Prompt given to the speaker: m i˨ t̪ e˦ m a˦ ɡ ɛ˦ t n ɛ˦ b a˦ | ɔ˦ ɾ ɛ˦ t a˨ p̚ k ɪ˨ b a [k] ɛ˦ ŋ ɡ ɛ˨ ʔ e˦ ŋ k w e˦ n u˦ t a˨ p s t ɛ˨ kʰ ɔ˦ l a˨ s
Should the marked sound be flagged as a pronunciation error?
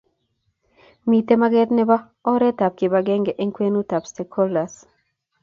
yes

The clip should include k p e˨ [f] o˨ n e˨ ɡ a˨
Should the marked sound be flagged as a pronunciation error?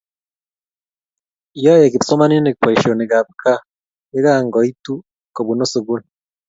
yes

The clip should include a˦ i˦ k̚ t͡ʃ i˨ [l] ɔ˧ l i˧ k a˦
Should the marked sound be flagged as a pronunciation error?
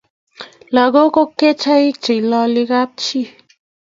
no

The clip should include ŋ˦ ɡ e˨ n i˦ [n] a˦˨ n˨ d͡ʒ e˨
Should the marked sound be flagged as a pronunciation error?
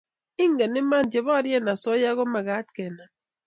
yes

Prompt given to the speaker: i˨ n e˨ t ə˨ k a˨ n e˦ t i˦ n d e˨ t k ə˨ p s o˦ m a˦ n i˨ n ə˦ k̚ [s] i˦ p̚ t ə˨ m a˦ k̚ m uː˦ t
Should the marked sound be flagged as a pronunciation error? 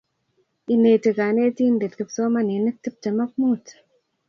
yes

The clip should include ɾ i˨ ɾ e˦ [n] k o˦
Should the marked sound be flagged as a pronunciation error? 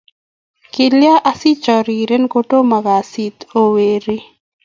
no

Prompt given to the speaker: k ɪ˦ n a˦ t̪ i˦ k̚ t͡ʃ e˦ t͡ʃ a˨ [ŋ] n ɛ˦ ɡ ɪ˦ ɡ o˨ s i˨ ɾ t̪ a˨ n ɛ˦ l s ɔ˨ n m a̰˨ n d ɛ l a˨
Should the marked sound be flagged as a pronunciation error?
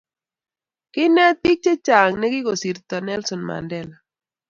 no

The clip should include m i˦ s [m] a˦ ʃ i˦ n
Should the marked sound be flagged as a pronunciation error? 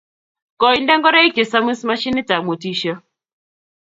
no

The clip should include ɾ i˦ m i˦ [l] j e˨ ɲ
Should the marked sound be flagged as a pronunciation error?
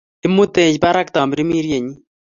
yes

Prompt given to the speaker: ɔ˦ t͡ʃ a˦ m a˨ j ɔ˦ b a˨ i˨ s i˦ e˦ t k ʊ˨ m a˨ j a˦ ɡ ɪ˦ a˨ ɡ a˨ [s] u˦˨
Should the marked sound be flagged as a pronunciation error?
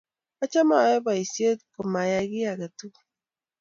yes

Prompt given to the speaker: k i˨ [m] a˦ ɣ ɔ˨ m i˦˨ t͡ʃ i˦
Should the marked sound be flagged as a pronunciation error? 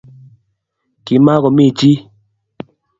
no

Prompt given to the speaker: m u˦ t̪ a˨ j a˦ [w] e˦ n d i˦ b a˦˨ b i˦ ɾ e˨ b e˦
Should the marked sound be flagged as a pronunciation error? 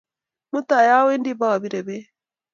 no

